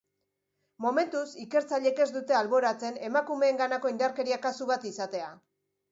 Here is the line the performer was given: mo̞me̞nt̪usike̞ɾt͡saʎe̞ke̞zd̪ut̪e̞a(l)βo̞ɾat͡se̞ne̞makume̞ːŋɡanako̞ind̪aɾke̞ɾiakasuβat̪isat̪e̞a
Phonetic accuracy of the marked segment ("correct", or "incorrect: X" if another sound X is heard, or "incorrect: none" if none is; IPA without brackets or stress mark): correct